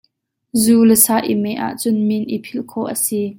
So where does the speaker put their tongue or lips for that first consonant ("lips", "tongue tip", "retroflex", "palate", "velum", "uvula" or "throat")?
tongue tip